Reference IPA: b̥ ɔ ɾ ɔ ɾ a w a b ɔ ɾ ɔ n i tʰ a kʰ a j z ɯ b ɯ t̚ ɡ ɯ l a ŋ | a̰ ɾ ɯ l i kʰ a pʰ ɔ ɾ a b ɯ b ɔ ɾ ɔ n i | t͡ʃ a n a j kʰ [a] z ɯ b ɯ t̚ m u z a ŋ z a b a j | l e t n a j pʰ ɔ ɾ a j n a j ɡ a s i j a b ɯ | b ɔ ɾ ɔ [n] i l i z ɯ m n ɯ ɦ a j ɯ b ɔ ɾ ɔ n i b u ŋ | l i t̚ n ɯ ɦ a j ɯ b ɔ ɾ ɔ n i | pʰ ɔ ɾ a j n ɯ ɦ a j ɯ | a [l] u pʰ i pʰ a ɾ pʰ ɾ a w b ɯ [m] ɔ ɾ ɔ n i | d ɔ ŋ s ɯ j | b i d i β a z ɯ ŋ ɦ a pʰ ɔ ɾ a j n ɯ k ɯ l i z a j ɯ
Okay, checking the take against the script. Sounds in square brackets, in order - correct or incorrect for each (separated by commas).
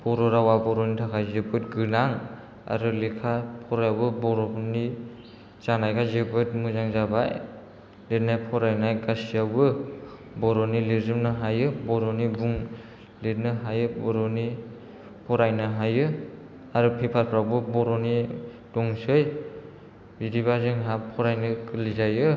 correct, correct, incorrect, incorrect